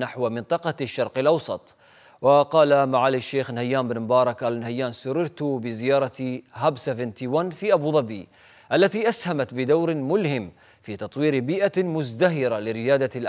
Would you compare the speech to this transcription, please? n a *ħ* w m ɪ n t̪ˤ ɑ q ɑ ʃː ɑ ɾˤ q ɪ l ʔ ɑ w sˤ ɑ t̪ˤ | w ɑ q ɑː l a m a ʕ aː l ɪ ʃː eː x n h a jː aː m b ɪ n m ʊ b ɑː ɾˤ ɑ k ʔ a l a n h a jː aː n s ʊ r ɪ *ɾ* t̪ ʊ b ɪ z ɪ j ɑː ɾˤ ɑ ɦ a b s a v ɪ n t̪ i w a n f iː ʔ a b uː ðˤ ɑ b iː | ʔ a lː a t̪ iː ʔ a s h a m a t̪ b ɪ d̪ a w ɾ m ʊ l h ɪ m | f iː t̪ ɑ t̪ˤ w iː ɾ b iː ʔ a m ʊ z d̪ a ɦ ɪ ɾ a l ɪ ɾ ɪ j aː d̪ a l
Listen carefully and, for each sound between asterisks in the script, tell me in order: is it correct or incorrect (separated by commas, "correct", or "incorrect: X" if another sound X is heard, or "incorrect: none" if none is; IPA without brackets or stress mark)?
correct, correct